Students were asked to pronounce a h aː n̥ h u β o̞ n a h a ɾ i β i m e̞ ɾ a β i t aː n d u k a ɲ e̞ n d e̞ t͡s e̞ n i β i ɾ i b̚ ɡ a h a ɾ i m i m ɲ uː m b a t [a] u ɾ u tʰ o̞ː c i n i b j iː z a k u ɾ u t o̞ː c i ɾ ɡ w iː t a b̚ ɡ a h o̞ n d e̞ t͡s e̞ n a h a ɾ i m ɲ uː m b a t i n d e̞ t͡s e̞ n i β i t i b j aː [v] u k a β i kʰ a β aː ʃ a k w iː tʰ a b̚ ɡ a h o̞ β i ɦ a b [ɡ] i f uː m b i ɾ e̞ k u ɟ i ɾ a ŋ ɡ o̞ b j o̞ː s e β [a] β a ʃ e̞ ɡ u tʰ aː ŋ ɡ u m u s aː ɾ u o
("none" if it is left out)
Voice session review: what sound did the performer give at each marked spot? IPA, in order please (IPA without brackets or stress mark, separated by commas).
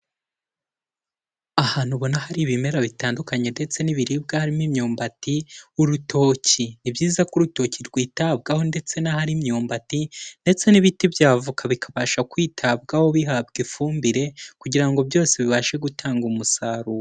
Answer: i, v, ɡ, i